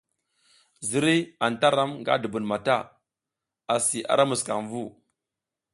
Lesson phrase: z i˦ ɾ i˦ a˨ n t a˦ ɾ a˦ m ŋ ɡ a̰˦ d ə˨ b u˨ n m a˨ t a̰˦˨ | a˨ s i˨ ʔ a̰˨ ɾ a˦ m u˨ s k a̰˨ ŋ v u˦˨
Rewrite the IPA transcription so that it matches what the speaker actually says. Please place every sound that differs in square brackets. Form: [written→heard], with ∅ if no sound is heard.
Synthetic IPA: z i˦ ɾ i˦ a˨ n t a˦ ɾ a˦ m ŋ ɡ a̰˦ d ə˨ b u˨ n m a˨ t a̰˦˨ | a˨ s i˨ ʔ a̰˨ ɾ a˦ m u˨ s k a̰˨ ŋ v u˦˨